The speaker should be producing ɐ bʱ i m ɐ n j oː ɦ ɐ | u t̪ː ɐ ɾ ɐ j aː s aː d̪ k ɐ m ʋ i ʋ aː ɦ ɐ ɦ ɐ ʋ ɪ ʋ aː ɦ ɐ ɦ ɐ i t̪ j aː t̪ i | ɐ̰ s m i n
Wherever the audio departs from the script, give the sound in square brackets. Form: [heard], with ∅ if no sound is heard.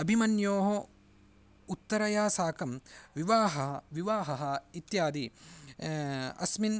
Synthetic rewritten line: ɐ bʱ i m ɐ n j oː ɦ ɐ | u t̪ː ɐ ɾ ɐ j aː s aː [∅] k ɐ m ʋ i ʋ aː ɦ ɐ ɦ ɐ ʋ [i] ʋ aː ɦ ɐ ɦ ɐ i t̪ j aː [d̪] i | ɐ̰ s m i n